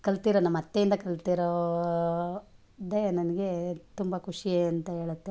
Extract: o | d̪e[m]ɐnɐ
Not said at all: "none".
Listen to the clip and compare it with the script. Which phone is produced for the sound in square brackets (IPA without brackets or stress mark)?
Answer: n